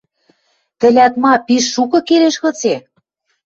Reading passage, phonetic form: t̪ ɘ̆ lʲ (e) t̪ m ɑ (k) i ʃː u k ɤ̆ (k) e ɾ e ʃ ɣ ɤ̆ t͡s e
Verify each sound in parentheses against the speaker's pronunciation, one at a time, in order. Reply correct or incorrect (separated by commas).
incorrect, incorrect, correct